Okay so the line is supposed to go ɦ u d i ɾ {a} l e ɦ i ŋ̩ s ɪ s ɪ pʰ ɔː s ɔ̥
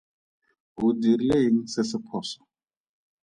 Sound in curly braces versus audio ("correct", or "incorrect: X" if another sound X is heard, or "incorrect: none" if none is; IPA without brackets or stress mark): incorrect: i